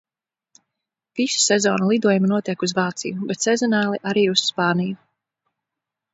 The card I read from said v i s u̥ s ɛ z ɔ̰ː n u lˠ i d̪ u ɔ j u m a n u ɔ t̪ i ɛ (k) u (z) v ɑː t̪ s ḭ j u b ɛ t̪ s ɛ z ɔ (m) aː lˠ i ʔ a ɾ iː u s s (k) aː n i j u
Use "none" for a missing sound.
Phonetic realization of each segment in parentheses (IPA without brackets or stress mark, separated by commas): k, z, n, p